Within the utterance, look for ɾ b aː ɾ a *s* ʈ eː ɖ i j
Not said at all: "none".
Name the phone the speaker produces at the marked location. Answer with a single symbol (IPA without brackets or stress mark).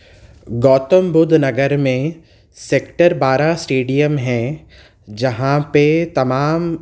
s